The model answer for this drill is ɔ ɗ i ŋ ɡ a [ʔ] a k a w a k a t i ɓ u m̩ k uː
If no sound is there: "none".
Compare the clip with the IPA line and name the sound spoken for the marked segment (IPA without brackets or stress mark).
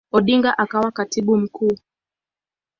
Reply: ʔ